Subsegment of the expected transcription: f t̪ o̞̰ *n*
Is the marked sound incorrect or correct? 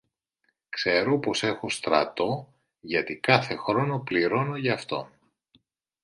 correct